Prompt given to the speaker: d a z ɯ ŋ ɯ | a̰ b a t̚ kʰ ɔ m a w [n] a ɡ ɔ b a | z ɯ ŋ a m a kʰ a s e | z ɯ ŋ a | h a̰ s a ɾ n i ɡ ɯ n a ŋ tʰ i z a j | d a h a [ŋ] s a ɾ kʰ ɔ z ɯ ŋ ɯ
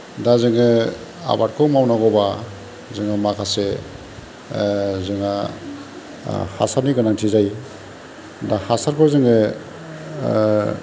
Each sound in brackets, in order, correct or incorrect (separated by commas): correct, incorrect